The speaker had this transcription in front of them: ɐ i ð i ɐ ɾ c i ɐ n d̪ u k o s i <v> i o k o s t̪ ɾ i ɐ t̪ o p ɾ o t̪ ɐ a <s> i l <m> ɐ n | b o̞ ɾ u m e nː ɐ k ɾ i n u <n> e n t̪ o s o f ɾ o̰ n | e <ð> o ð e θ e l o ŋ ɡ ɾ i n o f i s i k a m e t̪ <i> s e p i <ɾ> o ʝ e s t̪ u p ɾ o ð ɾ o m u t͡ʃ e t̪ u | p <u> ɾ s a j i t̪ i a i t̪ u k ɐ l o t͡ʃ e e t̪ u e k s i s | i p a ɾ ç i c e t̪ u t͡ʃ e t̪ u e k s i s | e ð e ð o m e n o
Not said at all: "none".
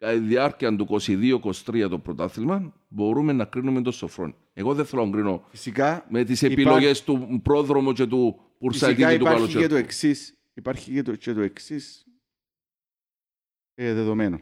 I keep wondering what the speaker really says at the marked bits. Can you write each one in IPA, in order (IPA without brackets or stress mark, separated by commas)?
ð, θ, m, m, ɣ, i, l, u